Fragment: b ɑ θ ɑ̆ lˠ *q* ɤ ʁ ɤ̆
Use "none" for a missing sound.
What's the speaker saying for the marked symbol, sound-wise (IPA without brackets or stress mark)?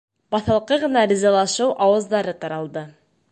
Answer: q